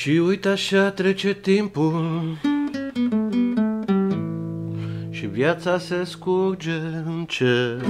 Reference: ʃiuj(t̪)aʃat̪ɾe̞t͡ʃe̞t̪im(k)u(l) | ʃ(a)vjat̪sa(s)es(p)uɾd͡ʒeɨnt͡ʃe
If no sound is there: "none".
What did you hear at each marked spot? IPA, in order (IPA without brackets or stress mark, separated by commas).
t̪, p, l, i, s, k